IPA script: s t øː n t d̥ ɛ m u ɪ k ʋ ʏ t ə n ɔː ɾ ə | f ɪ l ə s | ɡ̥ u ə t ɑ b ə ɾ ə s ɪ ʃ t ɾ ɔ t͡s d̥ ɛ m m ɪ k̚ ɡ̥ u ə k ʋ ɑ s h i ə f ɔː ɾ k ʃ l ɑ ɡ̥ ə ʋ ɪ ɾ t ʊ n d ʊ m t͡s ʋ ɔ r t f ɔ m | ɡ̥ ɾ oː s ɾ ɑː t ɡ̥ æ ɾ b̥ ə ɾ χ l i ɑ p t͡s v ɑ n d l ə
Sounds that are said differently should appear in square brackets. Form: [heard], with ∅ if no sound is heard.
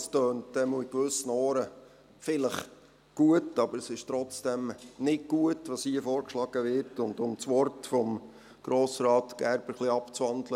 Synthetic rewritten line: s t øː n t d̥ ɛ m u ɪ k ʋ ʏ [s] ə n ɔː ɾ ə | f ɪ l ə [χ] | ɡ̥ u ə t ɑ b ə ɾ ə s ɪ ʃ t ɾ ɔ t͡s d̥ ɛ m [n] ɪ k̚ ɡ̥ u ə [t] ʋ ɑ s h i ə f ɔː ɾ k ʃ l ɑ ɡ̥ ə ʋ ɪ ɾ t ʊ n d ʊ m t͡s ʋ ɔ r t f ɔ m | ɡ̥ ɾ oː s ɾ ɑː t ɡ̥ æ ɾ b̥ ə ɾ χ l i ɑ p t͡s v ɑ n d l ə